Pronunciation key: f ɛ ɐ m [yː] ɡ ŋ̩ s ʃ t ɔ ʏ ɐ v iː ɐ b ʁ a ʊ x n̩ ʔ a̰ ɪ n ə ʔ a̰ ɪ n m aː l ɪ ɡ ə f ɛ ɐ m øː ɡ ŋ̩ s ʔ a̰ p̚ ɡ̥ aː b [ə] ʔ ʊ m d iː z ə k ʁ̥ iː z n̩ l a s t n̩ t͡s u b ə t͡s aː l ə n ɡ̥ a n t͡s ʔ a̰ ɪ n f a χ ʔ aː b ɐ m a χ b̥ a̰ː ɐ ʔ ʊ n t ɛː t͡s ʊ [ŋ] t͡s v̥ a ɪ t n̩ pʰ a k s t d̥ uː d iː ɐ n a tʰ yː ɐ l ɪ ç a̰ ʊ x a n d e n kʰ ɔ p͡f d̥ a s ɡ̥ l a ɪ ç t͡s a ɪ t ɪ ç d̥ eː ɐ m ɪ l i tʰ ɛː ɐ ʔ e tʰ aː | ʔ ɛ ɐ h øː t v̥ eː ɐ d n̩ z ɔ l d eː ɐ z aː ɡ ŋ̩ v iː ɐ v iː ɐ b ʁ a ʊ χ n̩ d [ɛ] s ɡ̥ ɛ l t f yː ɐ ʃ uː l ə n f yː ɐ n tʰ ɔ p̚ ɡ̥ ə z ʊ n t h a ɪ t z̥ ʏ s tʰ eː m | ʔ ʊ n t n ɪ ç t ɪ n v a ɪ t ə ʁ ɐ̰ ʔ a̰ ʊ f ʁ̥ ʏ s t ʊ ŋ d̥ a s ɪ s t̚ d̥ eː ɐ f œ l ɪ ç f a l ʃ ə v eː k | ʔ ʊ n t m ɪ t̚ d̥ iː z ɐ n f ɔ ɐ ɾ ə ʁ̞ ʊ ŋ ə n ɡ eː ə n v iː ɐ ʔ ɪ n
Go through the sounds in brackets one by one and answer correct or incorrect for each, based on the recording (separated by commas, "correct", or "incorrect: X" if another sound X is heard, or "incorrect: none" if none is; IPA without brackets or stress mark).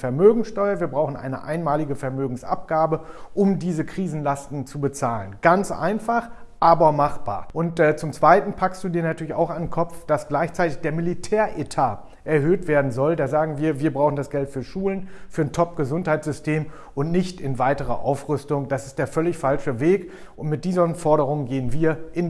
incorrect: øː, correct, incorrect: m, incorrect: a